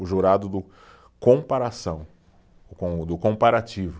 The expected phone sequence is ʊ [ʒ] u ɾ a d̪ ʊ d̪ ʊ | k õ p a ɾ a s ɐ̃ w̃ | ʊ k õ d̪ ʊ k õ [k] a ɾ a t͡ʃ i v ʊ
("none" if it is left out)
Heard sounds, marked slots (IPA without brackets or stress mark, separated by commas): ʒ, p